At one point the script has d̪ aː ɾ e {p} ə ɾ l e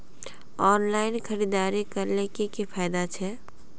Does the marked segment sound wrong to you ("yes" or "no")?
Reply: yes